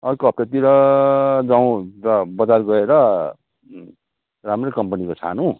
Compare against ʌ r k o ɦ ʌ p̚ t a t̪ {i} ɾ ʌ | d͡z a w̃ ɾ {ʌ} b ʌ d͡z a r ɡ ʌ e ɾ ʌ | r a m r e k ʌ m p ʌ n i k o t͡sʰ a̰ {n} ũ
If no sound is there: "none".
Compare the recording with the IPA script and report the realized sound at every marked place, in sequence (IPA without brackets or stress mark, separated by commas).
i, ʌ, n